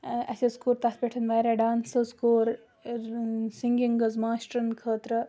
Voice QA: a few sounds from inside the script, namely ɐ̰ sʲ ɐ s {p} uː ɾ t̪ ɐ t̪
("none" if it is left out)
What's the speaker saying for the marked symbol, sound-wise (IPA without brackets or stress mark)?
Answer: k